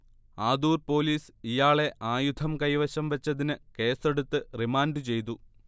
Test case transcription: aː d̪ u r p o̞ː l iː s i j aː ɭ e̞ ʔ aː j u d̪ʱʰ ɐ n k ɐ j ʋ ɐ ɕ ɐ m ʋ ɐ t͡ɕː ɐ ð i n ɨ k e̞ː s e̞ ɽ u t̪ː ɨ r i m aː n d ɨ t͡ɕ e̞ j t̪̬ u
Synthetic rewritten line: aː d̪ uː r p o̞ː l iː s i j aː ɭ e̞ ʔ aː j u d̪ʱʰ ɐ m k ɐ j ʋ ɐ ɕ ɐ m ʋ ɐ t͡ɕː ɐ ð i n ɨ k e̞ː s e̞ ɽ u t̪ː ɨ r i m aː n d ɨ t͡ɕ e̞ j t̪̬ u